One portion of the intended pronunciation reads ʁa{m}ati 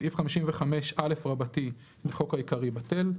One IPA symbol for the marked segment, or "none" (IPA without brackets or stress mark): b